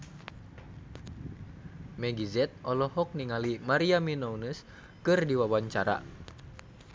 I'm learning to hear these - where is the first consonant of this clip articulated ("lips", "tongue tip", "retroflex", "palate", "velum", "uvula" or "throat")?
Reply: lips